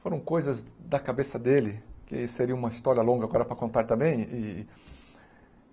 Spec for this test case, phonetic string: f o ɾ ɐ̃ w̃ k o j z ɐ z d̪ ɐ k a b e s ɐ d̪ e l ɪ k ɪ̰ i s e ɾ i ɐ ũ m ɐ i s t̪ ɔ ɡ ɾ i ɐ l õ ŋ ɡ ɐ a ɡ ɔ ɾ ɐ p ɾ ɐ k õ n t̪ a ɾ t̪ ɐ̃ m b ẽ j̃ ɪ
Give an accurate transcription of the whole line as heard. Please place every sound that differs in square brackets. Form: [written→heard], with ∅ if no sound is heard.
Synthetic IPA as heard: f o ɾ ɐ̃ w̃ k o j z ɐ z d̪ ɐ k a b e s ɐ d̪ e l ɪ k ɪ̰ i s e ɾ i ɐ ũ m ɐ i s t̪ ɔ [ɡ→∅] ɾ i ɐ l õ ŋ ɡ ɐ a ɡ ɔ ɾ ɐ p ɾ ɐ k õ n t̪ a ɾ t̪ ɐ̃ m b ẽ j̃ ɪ